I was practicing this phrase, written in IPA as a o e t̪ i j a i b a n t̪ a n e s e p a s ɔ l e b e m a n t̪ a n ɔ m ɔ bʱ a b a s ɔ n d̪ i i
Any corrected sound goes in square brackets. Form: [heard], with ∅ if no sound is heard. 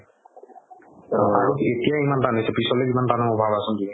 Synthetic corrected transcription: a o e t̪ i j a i [m] a n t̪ a n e s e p [i] s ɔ l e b [i] m a n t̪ a n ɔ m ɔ bʱ a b a s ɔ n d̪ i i